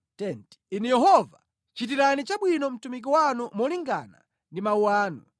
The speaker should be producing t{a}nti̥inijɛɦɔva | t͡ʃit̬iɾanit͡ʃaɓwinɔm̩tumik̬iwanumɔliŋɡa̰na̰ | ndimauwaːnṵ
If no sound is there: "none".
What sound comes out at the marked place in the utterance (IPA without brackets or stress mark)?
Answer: ɛ